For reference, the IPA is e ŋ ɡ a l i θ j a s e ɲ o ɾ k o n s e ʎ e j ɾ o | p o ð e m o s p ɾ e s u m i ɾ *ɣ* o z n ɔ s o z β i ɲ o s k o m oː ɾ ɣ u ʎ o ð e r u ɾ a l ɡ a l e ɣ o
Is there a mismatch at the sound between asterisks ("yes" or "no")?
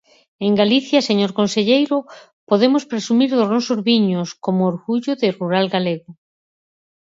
yes